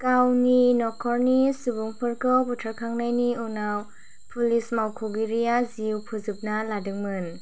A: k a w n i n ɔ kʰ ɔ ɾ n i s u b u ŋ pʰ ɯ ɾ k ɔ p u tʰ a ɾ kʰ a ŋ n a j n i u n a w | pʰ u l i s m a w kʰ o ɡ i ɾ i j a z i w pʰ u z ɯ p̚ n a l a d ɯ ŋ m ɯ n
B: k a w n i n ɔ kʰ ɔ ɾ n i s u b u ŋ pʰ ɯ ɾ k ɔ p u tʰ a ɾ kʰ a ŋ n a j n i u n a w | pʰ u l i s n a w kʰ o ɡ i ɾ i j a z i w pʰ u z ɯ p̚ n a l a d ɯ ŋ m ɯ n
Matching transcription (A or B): A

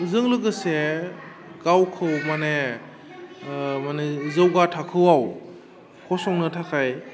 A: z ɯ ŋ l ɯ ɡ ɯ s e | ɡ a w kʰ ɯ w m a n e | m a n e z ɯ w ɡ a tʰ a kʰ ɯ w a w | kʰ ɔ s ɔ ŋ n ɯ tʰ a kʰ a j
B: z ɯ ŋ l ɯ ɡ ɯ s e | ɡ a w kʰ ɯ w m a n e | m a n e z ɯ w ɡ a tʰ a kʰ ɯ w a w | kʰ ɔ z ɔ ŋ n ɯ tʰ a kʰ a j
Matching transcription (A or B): A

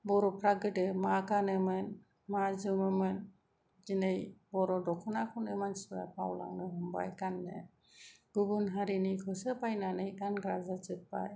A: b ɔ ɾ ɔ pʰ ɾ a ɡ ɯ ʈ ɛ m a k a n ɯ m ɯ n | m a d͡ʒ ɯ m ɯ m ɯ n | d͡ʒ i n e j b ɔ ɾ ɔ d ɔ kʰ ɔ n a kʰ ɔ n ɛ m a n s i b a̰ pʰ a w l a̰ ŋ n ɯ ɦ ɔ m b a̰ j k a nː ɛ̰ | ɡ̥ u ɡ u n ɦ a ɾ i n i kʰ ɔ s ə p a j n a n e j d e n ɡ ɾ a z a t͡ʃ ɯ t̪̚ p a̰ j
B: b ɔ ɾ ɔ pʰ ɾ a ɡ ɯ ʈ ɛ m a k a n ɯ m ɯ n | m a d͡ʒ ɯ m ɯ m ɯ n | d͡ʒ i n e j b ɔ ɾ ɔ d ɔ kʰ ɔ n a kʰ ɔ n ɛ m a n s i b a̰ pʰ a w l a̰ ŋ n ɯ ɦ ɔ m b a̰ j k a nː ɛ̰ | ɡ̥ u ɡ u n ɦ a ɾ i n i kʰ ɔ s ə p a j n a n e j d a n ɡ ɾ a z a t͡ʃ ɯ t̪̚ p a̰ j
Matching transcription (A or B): B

